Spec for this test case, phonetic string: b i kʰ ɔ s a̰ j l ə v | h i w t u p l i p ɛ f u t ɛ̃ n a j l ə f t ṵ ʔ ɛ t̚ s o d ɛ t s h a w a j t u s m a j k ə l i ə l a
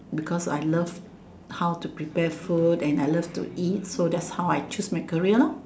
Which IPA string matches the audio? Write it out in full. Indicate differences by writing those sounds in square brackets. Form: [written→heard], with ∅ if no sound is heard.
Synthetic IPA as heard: b i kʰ ɔ s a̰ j l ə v | h [i→a] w t u p [l→ɹ] i p ɛ f u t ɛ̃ n a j l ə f t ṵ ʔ [ɛ→i] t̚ s o d ɛ t s h a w a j [t→t͡ʃ] u s m a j k ə [l→ɹ] i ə l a